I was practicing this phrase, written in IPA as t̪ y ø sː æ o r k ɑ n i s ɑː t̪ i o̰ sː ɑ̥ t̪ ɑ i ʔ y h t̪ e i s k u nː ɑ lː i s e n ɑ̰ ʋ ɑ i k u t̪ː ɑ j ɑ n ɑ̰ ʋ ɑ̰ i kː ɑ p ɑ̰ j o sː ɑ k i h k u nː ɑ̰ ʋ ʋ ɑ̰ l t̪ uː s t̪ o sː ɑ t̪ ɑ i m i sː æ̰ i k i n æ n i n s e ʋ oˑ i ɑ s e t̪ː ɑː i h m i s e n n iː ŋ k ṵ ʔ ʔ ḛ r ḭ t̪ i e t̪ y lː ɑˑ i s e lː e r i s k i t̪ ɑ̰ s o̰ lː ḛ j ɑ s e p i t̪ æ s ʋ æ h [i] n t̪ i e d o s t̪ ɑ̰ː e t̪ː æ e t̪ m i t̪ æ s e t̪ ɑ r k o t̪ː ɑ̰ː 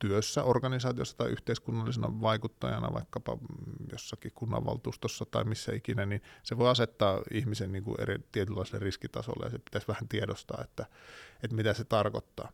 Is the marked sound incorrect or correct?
incorrect